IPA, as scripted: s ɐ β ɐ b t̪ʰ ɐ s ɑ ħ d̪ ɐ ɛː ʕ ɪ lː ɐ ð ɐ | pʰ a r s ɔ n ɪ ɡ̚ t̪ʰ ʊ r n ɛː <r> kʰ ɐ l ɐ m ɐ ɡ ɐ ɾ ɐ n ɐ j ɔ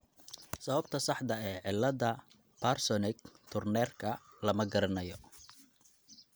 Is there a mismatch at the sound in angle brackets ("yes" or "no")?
no